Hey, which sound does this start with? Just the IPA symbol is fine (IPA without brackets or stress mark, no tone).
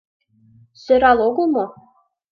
s